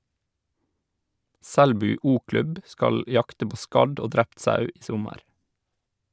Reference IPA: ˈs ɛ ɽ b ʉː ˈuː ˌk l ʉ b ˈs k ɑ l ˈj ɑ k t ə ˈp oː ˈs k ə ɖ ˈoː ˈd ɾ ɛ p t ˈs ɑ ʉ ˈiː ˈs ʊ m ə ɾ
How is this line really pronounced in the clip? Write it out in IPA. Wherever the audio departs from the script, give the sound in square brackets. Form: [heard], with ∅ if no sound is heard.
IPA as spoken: ˈs ɛ ɽ b ʉː ˈuː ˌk l ʉ b ˈs k ɑ l ˈj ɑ k t ə ˈp oː ˈs k [ɑ] ɖ ˈoː ˈd ɾ ɛ p t ˈs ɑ ʉ ˈiː ˈs ʊ m ə ɾ